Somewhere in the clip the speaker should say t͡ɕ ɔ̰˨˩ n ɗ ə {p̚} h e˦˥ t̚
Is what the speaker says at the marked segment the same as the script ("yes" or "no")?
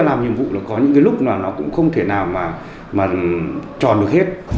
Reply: no